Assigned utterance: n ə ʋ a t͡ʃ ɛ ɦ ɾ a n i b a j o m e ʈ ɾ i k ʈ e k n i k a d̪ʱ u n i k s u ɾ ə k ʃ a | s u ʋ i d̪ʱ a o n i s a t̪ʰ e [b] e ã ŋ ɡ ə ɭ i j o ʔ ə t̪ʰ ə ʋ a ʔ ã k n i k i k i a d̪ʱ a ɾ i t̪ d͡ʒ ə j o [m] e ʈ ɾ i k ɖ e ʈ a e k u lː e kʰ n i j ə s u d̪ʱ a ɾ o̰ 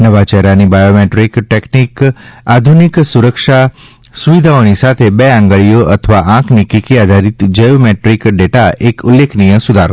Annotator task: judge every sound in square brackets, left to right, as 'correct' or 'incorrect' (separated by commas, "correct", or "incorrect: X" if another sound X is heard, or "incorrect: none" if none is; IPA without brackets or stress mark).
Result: correct, correct